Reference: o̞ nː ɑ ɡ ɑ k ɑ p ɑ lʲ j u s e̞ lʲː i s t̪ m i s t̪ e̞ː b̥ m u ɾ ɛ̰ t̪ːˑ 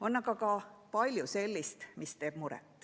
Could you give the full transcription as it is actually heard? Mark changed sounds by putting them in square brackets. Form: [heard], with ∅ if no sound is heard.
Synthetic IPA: o̞ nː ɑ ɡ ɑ k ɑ p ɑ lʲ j u s e̞ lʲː i s t̪ m i s t̪ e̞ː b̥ m u ɾ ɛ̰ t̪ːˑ

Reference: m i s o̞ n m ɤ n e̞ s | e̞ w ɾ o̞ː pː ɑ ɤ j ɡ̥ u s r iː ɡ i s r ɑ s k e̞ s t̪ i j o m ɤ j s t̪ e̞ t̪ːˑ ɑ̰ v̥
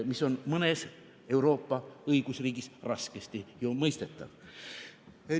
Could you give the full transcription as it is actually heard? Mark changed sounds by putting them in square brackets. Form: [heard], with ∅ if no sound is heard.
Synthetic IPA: m i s o̞ n m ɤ n e̞ s | e̞ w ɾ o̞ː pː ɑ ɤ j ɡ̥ u s r iː ɡ i s r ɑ s k e̞ s t̪ i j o m ɤ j s t̪ e̞ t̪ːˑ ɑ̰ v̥

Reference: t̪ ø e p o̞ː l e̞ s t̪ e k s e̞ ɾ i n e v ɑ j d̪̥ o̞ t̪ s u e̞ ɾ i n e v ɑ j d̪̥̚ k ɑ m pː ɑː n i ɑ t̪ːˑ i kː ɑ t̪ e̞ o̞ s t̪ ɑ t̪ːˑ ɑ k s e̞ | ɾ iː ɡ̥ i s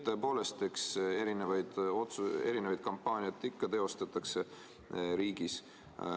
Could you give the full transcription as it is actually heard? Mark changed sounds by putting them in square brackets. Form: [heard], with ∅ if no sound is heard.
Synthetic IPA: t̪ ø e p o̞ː l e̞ s t̪ e k s e̞ ɾ i n e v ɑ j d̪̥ o̞ t̪ s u e̞ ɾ i n e v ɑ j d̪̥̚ k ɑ m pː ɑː n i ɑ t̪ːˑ i kː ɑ t̪ e̞ o̞ s t̪ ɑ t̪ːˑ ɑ k s e̞ | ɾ iː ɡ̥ i s

